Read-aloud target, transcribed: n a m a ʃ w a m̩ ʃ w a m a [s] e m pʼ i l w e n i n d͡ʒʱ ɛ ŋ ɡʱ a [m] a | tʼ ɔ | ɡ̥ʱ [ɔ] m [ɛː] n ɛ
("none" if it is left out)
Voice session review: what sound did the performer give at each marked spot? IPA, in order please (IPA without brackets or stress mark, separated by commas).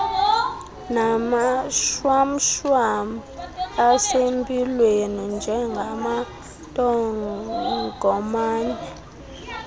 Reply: s, m, ɔ, aː